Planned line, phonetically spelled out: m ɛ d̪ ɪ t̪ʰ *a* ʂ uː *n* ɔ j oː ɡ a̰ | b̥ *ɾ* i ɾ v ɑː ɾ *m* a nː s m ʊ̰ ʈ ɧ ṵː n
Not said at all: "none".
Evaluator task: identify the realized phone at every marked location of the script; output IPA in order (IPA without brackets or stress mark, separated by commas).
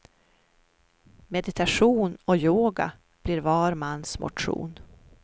a, n, l, m